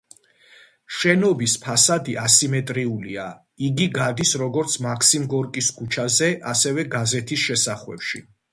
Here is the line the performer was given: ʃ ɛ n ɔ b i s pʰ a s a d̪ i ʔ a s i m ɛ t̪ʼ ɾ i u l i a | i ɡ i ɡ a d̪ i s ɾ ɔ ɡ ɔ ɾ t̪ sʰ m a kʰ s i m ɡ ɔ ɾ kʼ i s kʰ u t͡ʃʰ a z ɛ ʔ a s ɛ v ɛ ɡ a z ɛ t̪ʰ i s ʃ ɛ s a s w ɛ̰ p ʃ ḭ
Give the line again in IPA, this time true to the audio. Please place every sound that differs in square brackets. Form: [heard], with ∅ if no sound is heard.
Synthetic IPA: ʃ ɛ n ɔ b i s pʰ a s a d̪ i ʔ a s i m ɛ t̪ʼ ɾ i u l i a | i ɡ i ɡ a d̪ i s ɾ ɔ ɡ ɔ ɾ t̪ sʰ m a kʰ s i m ɡ ɔ ɾ kʼ i s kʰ u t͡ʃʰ a z ɛ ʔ a s ɛ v ɛ ɡ a z ɛ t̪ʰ i s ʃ ɛ s a [χ] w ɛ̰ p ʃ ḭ

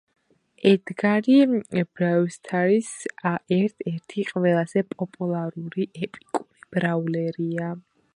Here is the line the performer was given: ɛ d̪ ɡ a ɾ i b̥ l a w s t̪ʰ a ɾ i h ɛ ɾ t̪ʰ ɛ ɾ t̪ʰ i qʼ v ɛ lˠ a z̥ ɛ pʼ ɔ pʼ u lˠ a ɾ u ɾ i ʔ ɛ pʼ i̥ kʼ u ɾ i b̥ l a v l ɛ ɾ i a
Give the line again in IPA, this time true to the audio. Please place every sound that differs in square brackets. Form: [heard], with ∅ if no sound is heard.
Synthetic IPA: ɛ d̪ ɡ a ɾ i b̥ [ɾ] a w s t̪ʰ a ɾ i [s] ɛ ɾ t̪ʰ ɛ ɾ t̪ʰ i qʼ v ɛ lˠ a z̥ ɛ pʼ ɔ pʼ u lˠ a ɾ u ɾ i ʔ ɛ pʼ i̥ kʼ u ɾ i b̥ [ɾ] a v l ɛ ɾ i a

